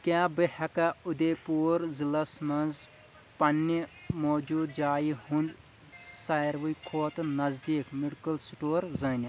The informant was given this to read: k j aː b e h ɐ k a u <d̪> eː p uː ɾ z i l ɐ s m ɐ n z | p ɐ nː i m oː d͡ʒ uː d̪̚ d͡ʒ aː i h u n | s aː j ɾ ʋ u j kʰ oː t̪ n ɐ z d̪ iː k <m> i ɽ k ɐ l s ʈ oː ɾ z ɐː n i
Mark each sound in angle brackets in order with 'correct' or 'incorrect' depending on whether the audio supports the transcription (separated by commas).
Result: correct, correct